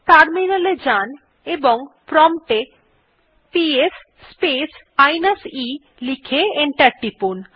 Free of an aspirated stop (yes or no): no